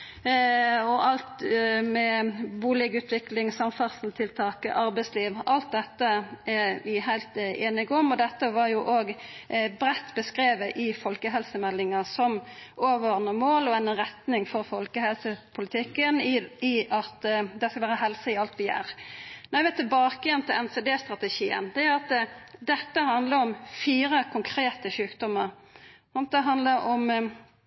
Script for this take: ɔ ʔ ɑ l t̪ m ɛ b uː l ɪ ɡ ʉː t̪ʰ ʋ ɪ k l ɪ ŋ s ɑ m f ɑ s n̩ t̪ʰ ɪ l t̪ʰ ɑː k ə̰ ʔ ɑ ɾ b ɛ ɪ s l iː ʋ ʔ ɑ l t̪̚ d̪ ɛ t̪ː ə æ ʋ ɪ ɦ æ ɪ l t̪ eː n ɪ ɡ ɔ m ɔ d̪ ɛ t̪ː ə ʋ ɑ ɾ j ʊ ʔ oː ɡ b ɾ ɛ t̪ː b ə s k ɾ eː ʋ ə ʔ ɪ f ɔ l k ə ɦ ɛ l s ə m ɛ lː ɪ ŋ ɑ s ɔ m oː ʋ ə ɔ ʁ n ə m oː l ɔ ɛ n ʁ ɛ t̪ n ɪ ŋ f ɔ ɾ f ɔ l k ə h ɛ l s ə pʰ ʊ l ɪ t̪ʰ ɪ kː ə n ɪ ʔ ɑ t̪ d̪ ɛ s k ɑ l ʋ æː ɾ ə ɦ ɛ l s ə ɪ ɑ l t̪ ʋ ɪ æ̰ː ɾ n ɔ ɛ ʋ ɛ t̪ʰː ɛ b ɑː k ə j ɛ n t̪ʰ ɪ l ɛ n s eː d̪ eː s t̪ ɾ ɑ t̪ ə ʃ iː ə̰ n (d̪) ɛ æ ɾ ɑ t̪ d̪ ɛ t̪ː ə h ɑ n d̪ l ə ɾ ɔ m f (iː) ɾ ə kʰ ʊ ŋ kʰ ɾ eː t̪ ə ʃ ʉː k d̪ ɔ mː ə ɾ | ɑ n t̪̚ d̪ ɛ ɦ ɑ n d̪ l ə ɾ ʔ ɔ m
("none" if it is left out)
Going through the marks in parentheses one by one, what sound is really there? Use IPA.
d̪, iː

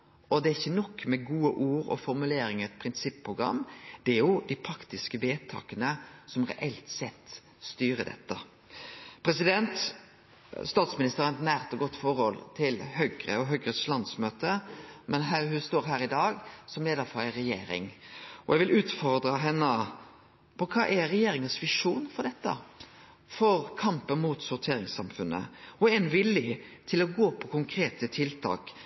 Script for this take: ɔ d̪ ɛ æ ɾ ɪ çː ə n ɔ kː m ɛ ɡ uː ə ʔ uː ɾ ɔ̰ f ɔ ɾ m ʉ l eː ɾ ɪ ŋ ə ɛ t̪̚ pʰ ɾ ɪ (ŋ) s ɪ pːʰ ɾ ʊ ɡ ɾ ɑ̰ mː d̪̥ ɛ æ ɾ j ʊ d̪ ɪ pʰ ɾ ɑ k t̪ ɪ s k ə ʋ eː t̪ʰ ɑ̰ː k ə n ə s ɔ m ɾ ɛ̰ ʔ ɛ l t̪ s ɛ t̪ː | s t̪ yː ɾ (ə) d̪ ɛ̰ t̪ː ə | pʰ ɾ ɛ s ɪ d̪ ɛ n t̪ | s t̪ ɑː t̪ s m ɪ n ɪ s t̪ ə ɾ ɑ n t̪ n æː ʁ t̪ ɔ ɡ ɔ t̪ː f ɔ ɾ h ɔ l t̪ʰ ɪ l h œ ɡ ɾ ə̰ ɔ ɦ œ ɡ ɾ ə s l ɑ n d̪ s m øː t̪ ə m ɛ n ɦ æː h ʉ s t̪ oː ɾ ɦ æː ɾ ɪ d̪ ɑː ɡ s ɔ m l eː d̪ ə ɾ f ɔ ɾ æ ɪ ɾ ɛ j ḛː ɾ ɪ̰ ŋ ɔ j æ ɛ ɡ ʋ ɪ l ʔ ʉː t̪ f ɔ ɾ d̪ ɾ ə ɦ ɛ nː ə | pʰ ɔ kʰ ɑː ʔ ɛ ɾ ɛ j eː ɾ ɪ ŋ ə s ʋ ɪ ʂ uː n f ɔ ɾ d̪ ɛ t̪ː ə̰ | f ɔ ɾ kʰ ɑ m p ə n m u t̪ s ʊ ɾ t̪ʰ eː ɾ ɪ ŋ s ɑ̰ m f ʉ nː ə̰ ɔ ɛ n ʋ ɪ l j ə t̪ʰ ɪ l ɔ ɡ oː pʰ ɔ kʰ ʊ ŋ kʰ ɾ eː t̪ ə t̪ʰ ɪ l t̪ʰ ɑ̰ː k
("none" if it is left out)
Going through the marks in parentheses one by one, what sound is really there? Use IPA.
n, ə

